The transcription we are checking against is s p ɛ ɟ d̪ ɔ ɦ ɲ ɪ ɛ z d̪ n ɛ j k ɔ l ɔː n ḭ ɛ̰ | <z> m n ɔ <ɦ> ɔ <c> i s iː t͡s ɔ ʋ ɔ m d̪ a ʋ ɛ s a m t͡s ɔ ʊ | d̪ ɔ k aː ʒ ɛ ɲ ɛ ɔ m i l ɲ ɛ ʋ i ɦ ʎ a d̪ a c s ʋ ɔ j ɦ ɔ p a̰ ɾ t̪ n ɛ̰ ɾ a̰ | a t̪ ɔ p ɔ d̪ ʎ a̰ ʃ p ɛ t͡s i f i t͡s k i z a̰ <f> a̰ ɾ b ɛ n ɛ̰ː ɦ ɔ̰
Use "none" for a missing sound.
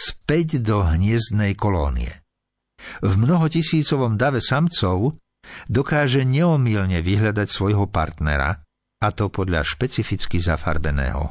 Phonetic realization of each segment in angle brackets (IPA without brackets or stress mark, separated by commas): v, ɦ, c, f